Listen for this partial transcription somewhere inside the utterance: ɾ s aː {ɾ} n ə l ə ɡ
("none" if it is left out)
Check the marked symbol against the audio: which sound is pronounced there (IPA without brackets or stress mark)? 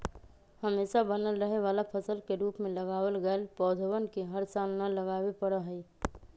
l